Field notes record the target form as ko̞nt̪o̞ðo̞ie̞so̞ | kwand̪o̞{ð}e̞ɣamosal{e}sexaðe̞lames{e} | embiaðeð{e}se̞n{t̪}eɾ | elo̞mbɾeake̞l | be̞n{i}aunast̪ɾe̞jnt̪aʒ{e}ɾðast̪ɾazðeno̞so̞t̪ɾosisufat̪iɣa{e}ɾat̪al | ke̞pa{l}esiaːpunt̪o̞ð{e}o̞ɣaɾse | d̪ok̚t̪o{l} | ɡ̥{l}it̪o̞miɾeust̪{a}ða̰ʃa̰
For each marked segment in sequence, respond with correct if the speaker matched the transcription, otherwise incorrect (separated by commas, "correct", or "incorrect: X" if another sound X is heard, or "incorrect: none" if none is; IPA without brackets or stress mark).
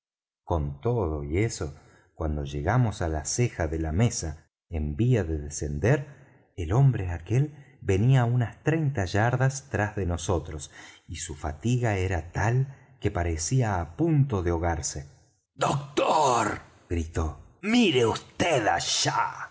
incorrect: ʒ, incorrect: a, incorrect: a, correct, incorrect: d̪, correct, incorrect: a, correct, incorrect: ɾ, correct, incorrect: ɾ, incorrect: ɾ, incorrect: e